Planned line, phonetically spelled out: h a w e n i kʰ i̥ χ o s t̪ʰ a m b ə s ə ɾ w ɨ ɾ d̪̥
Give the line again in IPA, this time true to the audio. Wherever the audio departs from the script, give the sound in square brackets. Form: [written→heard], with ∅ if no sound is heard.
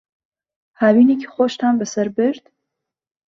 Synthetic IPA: h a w [e→i] n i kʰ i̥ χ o [s→ʃ] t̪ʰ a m b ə s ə ɾ [w→b] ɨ ɾ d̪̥